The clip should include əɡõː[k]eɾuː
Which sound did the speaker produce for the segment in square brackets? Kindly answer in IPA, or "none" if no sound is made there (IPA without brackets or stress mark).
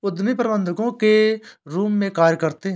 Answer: k